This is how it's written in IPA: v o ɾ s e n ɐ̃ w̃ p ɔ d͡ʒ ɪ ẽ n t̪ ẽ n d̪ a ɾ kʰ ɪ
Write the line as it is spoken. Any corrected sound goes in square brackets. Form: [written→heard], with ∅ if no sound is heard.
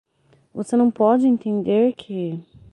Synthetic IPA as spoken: v o [ɾ→∅] s e n ɐ̃ w̃ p ɔ d͡ʒ ɪ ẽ n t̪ ẽ n d̪ [a→e] ɾ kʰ ɪ